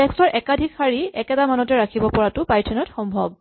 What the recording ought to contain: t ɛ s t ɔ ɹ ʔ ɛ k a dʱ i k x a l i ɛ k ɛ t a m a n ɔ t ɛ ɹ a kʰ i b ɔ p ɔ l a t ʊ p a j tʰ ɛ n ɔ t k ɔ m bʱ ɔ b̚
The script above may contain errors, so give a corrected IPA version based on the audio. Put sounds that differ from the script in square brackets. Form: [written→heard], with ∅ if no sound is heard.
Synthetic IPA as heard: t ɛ s t ɔ ɹ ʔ ɛ k a dʱ i k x a [l→ɹ] i ɛ k ɛ t a m a n ɔ t ɛ ɹ a kʰ i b ɔ p ɔ [l→ɹ] a t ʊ p a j tʰ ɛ n ɔ t [k→x] ɔ m bʱ ɔ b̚